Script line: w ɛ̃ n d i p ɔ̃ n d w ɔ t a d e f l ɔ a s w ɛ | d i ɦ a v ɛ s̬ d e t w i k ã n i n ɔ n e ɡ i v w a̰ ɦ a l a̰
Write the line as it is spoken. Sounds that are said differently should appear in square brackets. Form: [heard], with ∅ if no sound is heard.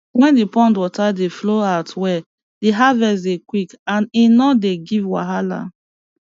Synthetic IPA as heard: w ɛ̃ n d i p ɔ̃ n d w ɔ t a d e f l [o] a [t] w ɛ | d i ɦ a v ɛ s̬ d e [k] w i k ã n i n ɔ [d] e ɡ i v w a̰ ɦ a l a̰